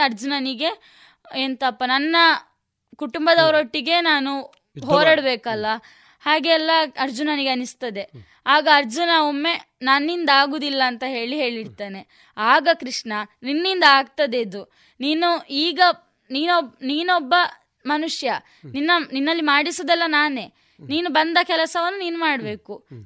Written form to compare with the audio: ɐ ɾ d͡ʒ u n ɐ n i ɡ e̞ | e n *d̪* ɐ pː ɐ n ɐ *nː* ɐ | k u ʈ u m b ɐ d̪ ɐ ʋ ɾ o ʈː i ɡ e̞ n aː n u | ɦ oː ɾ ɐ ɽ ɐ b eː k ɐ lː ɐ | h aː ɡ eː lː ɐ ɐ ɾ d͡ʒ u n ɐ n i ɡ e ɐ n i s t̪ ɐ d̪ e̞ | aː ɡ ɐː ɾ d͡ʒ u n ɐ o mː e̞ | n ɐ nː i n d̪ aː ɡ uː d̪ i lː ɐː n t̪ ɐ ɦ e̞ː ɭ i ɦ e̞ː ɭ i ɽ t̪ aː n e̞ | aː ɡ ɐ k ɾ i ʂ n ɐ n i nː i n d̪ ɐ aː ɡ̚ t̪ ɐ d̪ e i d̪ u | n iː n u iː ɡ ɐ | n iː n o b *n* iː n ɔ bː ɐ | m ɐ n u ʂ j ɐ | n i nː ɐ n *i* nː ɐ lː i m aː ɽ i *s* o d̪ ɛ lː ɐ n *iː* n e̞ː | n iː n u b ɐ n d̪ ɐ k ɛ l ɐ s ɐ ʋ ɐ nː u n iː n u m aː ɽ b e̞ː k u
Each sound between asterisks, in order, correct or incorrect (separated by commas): incorrect, correct, correct, correct, correct, incorrect